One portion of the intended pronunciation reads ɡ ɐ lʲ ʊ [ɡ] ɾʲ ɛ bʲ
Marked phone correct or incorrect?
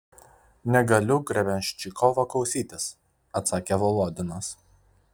correct